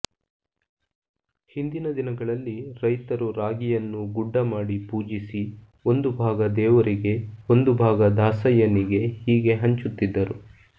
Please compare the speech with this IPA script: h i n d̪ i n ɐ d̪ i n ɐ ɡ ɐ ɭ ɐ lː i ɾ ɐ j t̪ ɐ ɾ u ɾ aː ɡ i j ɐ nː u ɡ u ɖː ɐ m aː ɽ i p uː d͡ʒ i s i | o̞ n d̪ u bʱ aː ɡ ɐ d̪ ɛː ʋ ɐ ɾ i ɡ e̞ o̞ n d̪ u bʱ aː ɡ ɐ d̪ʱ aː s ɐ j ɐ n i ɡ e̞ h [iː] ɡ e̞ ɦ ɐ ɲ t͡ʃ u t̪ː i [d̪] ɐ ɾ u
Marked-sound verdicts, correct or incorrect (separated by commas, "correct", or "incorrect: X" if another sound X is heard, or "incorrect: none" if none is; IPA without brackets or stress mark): correct, incorrect: d̪ː